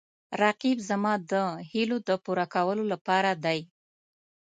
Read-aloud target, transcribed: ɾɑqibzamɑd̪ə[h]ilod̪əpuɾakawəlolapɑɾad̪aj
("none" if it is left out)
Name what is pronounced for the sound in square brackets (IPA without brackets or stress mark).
h